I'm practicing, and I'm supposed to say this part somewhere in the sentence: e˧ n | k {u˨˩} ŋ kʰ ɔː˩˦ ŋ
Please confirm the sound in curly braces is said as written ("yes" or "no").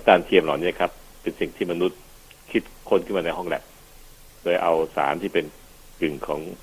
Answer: no